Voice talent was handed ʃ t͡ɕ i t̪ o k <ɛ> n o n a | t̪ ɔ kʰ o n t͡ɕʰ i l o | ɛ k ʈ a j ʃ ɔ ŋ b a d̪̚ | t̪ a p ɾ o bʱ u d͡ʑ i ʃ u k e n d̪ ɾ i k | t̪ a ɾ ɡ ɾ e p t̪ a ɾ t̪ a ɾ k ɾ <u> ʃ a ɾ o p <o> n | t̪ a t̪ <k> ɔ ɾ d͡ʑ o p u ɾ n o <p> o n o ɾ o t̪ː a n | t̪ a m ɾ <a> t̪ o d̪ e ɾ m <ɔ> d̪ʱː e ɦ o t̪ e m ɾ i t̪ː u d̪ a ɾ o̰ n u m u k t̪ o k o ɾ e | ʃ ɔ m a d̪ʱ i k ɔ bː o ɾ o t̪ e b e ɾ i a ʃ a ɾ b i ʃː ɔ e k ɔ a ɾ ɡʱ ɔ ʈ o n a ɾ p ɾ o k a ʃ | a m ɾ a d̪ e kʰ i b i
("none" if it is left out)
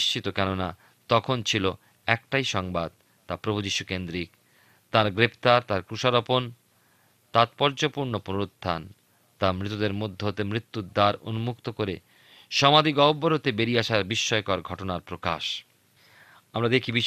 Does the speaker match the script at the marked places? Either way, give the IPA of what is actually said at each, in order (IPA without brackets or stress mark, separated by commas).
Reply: ɛ, u, o, p, p, i, o